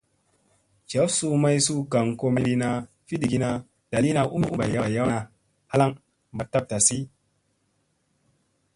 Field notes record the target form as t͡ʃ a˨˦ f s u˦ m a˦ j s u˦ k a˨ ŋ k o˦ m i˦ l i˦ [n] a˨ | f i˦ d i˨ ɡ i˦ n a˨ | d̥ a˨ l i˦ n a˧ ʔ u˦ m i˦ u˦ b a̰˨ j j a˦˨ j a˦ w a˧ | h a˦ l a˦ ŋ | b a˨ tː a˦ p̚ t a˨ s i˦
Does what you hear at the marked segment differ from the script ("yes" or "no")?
no